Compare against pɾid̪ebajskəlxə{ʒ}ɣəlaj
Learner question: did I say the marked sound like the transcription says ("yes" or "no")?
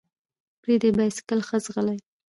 no